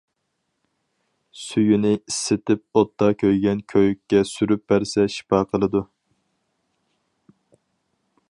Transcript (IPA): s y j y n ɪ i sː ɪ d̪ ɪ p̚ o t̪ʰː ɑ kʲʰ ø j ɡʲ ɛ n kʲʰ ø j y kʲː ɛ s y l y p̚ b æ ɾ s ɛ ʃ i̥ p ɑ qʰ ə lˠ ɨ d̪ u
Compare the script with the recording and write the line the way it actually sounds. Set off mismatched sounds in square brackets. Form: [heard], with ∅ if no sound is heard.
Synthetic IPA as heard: s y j y n ɪ i sː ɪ [t̪] ɪ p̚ o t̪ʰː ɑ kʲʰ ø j ɡʲ ɛ n kʲʰ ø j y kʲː ɛ s y [ɾ] y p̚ b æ ɾ s ɛ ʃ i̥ p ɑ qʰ ə lˠ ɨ d̪ u